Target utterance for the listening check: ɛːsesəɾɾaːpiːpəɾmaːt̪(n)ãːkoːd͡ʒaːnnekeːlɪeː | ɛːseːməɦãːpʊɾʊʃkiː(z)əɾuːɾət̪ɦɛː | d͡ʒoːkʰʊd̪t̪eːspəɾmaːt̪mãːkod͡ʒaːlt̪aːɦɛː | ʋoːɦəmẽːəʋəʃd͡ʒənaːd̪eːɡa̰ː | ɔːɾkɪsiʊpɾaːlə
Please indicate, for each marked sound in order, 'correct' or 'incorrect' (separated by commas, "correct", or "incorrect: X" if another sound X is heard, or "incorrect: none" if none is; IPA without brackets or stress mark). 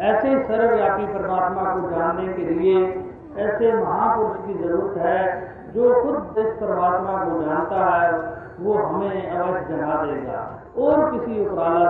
incorrect: m, correct